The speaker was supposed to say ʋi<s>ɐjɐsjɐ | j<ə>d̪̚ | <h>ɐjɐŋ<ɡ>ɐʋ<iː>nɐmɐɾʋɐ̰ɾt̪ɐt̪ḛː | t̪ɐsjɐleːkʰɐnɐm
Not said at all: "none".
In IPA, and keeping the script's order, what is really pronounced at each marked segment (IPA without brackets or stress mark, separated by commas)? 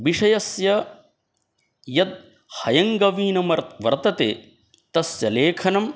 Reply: ʂ, ɐ, h, ɡ, iː